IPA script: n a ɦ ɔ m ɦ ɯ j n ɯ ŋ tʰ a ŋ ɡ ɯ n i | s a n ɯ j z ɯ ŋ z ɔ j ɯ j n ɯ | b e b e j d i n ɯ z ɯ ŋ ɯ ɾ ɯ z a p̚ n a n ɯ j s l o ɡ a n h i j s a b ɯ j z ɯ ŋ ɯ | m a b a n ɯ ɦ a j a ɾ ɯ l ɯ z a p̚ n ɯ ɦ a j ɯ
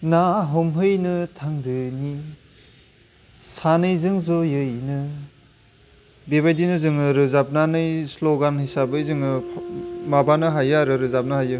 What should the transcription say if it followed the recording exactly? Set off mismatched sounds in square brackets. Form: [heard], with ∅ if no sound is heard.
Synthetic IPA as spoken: n a ɦ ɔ m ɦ ɯ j n ɯ [∅] tʰ a ŋ [d] ɯ n i | s a n ɯ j z ɯ ŋ z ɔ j ɯ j n ɯ | b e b [a] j d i n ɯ z ɯ ŋ ɯ ɾ ɯ z a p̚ n a n ɯ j s l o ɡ a n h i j s a b ɯ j z ɯ ŋ ɯ | m a b a n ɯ ɦ a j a ɾ ɯ [ɾ] ɯ z a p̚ n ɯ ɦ a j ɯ

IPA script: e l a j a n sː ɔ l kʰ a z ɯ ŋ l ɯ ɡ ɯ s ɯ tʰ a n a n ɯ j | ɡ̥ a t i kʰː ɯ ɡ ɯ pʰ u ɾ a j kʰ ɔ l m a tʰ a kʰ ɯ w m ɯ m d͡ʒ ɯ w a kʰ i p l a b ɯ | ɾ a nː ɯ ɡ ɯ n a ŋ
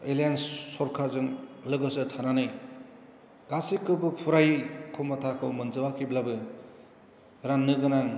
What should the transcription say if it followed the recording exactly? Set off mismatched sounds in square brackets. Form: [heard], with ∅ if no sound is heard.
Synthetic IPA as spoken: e l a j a n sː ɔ [ɾ] kʰ a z ɯ ŋ l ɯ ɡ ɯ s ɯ tʰ a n a n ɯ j | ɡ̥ a [s] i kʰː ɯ [b] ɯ pʰ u ɾ a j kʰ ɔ [∅] m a tʰ a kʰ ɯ w m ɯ [n] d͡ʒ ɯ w a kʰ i [b] l a b ɯ | ɾ a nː ɯ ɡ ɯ n a ŋ

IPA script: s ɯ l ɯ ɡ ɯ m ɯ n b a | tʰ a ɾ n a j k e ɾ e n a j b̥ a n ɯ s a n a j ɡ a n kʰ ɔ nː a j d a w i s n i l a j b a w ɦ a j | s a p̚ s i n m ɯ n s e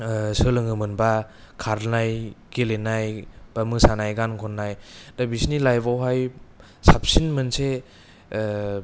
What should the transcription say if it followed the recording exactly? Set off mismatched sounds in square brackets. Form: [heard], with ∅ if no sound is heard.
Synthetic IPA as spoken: s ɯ l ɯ [ŋ] ɯ m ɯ n b a | [kʰ] a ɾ n a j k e [l] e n a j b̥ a [m] ɯ s a n a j ɡ a n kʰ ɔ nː a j d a [b] i s n i l a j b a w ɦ a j | s a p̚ s i n m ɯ n s e

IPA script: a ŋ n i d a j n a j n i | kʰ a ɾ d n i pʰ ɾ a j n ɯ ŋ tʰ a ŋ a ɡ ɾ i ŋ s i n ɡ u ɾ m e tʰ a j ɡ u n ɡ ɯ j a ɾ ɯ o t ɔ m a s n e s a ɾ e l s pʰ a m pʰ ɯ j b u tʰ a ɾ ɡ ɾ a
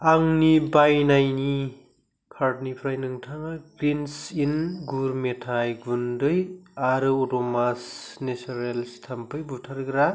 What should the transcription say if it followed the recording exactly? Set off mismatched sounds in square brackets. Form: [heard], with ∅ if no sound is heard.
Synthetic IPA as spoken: a ŋ n i [b] a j n a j n i | kʰ a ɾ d n i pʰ ɾ a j n ɯ ŋ tʰ a ŋ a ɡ ɾ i [n] s i n ɡ u ɾ m e tʰ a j ɡ u n [d] ɯ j a ɾ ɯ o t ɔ m a s n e s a ɾ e l s [tʰ] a m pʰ ɯ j b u tʰ a ɾ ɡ ɾ a

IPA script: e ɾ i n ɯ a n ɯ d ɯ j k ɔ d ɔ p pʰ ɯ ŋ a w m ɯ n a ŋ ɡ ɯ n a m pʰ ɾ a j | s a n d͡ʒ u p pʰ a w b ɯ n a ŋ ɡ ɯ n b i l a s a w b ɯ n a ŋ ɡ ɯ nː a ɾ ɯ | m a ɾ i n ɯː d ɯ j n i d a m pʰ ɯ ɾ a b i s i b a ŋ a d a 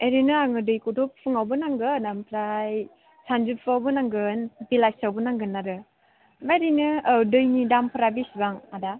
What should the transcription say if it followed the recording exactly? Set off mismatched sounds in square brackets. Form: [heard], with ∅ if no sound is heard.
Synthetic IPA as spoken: e ɾ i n ɯ a [ŋ] ɯ d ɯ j k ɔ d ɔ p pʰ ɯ ŋ a w [b] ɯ n a ŋ ɡ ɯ n a m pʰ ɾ a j | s a n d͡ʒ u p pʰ a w b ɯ n a ŋ ɡ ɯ n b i l a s a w b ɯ n a ŋ ɡ ɯ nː a ɾ ɯ | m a ɾ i n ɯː d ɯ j n i d a m pʰ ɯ ɾ a b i s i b a ŋ a d a

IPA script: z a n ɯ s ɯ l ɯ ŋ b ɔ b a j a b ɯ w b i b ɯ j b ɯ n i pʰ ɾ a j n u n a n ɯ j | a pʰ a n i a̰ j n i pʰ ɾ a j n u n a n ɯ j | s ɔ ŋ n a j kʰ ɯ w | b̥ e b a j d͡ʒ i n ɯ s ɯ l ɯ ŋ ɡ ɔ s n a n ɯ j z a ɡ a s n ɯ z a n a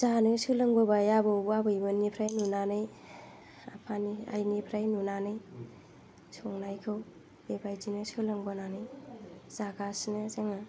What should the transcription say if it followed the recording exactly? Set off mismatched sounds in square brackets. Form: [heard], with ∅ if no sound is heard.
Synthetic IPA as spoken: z a n ɯ s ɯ l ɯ ŋ b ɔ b a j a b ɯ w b [a] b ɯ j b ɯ n i pʰ ɾ a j n u n a n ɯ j | a pʰ a n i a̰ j n i pʰ ɾ a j n u n a n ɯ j | s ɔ ŋ n a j kʰ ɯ w | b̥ e b a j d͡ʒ i n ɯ s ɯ l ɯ ŋ [b] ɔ [∅] n a n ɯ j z a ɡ a s n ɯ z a [ŋ] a

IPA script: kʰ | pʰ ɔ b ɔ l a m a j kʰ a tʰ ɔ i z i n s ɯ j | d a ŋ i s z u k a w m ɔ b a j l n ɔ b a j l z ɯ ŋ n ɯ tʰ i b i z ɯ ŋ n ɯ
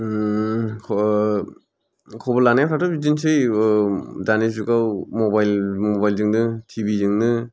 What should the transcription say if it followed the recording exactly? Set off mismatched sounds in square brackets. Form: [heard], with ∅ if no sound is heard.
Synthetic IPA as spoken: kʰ | [kʰ] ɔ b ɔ l a [n] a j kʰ a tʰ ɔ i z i n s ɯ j | d a [n] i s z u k a w m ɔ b a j l [m] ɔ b a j l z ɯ ŋ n ɯ tʰ i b i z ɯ ŋ n ɯ

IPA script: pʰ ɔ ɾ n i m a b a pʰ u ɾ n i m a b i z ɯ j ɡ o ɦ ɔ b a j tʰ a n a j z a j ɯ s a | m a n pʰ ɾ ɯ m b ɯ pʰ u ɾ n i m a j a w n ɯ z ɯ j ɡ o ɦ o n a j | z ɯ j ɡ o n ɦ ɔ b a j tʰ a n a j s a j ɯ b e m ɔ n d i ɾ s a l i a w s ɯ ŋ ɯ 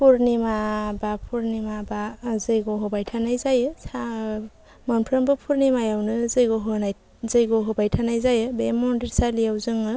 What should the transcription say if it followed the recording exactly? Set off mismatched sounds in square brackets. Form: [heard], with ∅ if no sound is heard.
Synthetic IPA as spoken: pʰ [u] ɾ n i m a b a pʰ u ɾ n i m a b [a] z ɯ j ɡ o ɦ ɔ b a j tʰ a n a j z a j ɯ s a | m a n pʰ ɾ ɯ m b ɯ pʰ u ɾ n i m a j a w n ɯ z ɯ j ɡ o ɦ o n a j | z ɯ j ɡ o [∅] ɦ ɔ b a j tʰ a n a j [z] a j ɯ b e m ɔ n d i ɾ s a l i a w [z] ɯ ŋ ɯ

